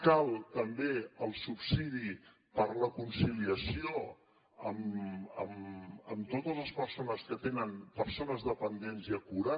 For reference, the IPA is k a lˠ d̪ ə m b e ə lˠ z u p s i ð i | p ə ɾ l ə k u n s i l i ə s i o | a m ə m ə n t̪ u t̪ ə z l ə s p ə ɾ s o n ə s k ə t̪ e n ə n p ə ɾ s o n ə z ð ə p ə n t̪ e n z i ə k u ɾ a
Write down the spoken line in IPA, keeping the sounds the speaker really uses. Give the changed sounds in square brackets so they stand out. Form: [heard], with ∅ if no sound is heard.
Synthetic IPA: k a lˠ [t̪] ə m b e ə lˠ [s] u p s i ð i | p ə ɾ l ə k u n s i l i ə s i o | [ə] m ə m ə [m] t̪ [o] t̪ ə z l ə s p ə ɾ s o n ə s k ə t̪ e n ə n p ə ɾ s o n ə z ð ə p ə n [d̪] e n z i ə k u ɾ a